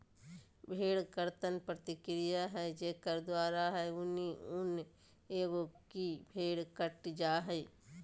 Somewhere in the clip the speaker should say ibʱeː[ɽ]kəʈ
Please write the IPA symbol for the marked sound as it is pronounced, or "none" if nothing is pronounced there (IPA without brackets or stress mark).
ɽ